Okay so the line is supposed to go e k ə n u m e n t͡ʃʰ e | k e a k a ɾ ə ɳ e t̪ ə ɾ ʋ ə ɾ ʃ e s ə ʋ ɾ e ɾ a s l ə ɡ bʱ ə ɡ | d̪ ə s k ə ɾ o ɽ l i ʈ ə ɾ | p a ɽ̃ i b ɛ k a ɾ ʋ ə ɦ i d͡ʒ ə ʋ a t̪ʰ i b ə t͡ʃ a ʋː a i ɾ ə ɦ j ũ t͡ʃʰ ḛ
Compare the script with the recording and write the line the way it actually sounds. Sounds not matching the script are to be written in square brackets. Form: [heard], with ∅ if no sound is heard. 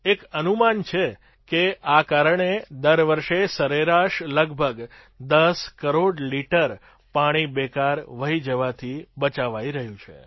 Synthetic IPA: e k ə n u m [a] n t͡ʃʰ e | k e a k a ɾ ə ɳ e [d̪] ə ɾ ʋ ə ɾ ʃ e s ə [∅] ɾ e ɾ a [ʃ] l ə ɡ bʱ ə ɡ | d̪ ə s k ə ɾ o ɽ l i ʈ ə ɾ | p a ɽ̃ i b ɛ k a ɾ ʋ ə ɦ i d͡ʒ ə ʋ a t̪ʰ i b ə t͡ʃ a [ʋ] a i ɾ ə ɦ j ũ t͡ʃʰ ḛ